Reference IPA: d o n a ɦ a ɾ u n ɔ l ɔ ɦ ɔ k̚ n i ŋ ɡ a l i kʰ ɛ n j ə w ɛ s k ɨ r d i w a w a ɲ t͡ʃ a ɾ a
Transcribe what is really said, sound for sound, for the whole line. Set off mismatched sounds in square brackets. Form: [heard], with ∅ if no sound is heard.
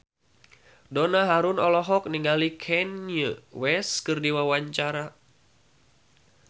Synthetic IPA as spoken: d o n a ɦ a ɾ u n ɔ l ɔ ɦ ɔ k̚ n i ŋ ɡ a l i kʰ ɛ n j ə w ɛ s k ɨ r d i w a w a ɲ t͡ʃ a ɾ a